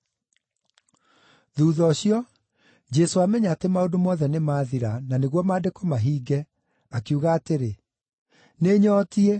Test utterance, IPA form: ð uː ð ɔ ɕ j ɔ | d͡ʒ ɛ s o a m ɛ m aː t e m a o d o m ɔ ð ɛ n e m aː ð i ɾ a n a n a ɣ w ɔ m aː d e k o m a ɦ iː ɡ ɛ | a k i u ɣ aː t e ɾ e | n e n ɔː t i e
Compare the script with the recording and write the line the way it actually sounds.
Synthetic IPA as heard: ð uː ð ɔ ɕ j ɔ | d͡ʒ ɛ s o a m ɛ ɲ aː t e m a o d o m ɔ ð ɛ n e m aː ð i ɾ a n a n e ɣ w ɔ m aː d e k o m a ɦ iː ɡ ɛ | a k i u ɣ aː t e ɾ e | n e ɲ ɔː t i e